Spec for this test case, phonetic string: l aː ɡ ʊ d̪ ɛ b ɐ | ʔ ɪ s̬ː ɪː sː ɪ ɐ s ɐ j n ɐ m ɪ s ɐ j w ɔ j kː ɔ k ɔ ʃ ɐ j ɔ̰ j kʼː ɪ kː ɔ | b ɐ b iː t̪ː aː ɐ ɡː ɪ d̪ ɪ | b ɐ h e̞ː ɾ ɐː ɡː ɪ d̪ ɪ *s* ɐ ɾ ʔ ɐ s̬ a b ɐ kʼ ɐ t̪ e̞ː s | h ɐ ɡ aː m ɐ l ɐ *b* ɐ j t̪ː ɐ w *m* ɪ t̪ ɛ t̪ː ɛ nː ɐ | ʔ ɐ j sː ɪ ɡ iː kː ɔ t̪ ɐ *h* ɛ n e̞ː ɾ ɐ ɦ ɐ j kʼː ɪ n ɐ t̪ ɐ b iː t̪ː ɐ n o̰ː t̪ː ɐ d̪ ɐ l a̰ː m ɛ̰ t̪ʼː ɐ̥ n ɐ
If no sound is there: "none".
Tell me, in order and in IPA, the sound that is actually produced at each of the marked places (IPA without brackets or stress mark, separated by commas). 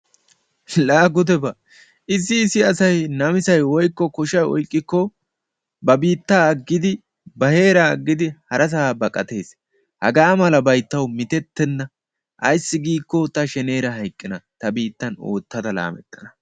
h, b, m, ʃ